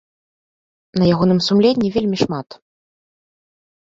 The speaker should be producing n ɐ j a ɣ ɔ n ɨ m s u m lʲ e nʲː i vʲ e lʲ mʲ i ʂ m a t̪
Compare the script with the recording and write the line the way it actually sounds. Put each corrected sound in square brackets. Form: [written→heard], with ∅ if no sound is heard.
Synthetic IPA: n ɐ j a ɣ ɔ n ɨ m s u m lʲ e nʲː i vʲ e lʲ mʲ i ʂ m a t̪